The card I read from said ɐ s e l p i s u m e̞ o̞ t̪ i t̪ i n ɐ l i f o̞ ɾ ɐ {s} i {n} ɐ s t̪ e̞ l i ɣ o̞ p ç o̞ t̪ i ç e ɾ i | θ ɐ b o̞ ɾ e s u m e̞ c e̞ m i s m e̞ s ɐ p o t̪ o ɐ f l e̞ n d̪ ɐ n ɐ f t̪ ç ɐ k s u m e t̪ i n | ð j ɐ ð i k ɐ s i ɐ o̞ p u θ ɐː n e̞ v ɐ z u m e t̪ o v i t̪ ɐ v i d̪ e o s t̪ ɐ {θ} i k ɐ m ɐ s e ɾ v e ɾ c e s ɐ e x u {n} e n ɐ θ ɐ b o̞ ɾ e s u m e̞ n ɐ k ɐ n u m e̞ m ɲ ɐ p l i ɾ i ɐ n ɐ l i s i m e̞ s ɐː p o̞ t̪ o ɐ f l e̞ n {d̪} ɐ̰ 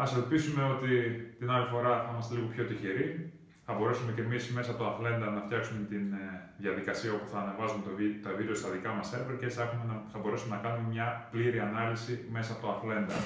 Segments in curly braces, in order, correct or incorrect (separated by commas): incorrect, incorrect, incorrect, incorrect, correct